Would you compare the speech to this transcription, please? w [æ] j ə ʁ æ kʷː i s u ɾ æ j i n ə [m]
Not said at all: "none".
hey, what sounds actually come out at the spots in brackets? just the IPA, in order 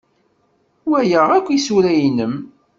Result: æ, m

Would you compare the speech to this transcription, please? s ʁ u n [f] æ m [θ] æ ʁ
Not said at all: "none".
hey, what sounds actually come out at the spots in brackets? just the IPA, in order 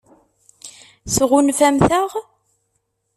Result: f, θ

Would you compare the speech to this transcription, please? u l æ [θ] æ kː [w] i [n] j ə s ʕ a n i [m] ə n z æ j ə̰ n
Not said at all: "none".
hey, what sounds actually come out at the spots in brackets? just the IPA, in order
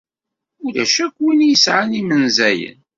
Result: ʃ, w, n, m

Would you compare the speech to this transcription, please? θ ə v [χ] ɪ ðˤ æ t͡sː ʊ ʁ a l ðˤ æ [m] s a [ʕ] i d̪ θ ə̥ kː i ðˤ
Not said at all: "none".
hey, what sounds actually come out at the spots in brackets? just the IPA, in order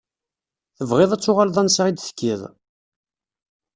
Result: ʁ, n, ʁ

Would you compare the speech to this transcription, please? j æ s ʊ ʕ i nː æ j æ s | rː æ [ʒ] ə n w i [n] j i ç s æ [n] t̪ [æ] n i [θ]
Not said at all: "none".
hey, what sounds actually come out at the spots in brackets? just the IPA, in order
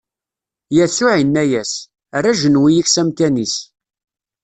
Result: ʒ, none, m, æ, s

